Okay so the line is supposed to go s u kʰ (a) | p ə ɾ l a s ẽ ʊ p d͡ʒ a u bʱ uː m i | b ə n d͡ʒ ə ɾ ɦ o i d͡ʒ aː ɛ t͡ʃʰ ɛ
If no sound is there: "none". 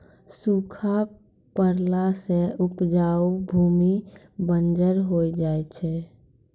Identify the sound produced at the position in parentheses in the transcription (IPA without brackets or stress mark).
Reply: a